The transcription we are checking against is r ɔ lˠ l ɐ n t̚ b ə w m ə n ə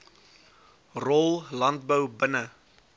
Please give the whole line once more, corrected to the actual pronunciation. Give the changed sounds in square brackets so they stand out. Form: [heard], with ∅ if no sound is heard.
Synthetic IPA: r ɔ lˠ l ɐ n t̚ b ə w [b] ə n ə